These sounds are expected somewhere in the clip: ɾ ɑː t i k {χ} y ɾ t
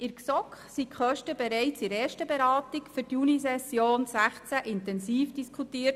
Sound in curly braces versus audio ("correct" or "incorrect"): incorrect